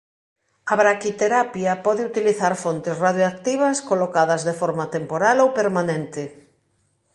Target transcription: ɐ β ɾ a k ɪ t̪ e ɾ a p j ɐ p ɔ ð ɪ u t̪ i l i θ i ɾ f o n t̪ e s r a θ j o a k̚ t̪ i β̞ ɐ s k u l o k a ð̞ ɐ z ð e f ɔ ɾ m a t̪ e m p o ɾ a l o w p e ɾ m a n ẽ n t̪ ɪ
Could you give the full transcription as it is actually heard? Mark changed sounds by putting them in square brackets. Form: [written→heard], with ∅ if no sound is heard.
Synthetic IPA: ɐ β ɾ a k [ɪ→i] t̪ e ɾ a p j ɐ p ɔ ð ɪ u t̪ i l i θ [i→a] ɾ f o n t̪ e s r a [θ→ð] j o a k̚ t̪ i β̞ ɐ s k [u→o] l o k a ð̞ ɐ z ð e f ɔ ɾ m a t̪ e m p o ɾ a l o w p e ɾ m a n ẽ n t̪ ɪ